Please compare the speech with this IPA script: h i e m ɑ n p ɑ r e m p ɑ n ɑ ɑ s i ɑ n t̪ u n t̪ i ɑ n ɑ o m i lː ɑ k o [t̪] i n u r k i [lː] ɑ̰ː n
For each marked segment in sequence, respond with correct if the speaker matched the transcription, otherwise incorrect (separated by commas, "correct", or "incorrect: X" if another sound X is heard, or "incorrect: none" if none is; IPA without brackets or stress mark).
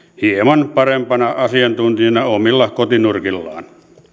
correct, correct